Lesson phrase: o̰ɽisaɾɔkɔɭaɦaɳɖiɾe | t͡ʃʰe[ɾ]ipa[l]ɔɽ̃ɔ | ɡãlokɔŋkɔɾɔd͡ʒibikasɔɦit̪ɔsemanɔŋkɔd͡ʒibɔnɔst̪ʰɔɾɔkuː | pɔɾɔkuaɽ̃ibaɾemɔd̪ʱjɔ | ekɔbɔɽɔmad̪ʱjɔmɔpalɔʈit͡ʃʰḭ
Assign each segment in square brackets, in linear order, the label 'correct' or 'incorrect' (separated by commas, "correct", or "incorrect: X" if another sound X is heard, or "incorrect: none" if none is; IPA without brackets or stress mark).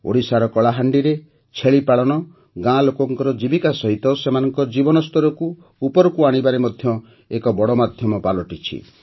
incorrect: ɭ, incorrect: ɭ